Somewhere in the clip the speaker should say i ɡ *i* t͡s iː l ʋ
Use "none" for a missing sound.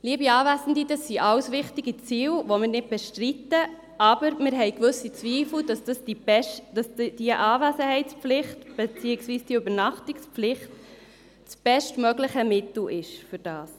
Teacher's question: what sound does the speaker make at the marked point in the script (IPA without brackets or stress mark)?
i